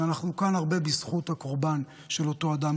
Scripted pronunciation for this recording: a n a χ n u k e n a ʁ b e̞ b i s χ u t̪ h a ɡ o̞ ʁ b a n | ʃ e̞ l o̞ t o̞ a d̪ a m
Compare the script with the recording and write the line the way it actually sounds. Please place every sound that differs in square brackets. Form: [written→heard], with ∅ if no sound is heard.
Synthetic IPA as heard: a n a χ n u k [e→a] n a ʁ b e̞ b i s χ u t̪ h a [ɡ→k] o̞ ʁ b a n | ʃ e̞ l o̞ t o̞ a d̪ a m